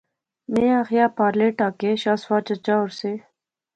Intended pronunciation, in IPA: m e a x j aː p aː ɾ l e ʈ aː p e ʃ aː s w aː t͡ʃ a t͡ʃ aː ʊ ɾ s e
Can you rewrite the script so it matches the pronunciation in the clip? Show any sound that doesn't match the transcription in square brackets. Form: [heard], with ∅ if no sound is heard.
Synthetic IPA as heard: m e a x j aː p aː ɾ l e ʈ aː [k] e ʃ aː s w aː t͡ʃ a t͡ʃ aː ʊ ɾ s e